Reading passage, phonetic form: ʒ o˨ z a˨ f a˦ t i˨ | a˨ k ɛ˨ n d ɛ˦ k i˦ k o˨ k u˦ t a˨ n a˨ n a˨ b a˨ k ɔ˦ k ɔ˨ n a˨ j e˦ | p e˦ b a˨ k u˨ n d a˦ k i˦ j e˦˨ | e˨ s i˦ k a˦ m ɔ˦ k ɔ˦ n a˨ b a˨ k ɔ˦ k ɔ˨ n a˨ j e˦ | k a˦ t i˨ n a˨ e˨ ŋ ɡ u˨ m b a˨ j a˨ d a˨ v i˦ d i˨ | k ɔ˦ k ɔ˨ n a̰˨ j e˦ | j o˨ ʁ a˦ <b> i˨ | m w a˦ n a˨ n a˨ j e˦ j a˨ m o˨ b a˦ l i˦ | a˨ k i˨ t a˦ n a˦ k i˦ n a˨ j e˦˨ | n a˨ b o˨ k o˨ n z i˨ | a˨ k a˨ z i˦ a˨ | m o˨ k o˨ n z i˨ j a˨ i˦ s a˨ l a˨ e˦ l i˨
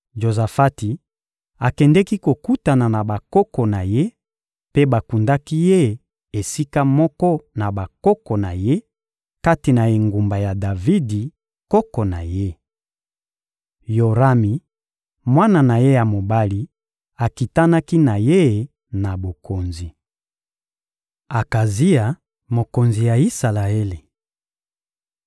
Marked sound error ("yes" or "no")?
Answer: yes